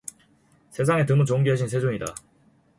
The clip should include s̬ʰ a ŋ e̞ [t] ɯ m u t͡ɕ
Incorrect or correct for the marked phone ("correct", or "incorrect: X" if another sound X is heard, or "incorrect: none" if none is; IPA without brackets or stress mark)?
correct